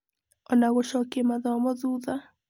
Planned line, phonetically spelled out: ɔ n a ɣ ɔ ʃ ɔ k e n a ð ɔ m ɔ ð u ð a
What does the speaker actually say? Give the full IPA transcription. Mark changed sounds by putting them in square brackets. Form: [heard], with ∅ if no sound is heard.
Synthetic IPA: ɔ n a ɣ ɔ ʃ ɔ k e [m] a ð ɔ m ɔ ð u ð a